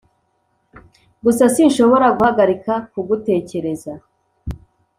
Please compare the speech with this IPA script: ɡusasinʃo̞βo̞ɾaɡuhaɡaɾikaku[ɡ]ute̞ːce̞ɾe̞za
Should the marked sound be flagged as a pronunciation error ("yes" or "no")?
no